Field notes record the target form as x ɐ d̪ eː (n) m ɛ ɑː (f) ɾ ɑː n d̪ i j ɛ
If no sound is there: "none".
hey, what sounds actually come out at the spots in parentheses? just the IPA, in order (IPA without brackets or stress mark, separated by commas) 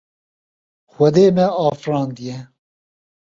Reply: none, f